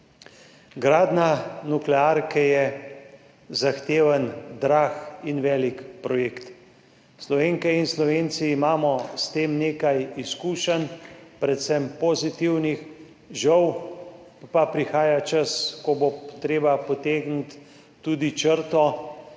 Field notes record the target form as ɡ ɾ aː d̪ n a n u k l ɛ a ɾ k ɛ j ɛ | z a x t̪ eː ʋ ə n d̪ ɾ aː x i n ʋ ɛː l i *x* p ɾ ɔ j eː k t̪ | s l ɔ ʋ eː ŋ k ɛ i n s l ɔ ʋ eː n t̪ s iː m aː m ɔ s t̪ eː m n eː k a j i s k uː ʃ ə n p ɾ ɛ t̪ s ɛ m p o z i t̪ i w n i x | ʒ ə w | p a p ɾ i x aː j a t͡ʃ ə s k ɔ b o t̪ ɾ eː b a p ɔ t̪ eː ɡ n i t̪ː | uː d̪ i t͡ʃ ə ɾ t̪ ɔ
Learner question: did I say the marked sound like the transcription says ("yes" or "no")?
no